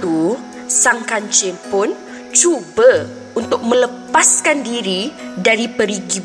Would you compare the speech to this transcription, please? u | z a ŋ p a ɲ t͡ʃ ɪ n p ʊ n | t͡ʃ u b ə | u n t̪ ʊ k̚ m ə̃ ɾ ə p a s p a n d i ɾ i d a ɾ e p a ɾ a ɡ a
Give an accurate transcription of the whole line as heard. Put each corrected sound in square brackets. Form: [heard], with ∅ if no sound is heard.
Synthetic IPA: u | [s] a ŋ [k] a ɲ t͡ʃ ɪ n p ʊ n | t͡ʃ u b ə | u n t̪ ʊ k̚ m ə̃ [l] ə p a s [k] a n d i ɾ i d a ɾ [i] p [ə] ɾ [i] ɡ [i]